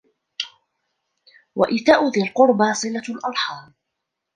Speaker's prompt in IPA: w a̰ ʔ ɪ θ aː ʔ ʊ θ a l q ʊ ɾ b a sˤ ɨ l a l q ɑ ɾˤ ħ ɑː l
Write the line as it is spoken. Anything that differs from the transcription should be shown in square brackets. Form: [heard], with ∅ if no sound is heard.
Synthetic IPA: w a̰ ʔ ɪ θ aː ʔ ʊ [ð] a l q ʊ ɾ b a sˤ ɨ l a l [ʔ] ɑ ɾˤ ħ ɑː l